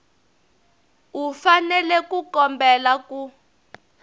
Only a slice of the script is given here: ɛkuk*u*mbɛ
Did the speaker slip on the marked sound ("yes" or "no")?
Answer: yes